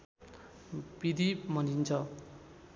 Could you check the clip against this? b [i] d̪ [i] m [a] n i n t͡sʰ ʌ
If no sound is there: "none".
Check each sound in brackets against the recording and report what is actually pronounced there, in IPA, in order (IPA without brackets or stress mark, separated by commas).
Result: i, i, ʌ